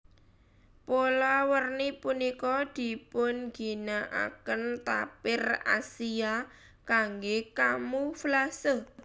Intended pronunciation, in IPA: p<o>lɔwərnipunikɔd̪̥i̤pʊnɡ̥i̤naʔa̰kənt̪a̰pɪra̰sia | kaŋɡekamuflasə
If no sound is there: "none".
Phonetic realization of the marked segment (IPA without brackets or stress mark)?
o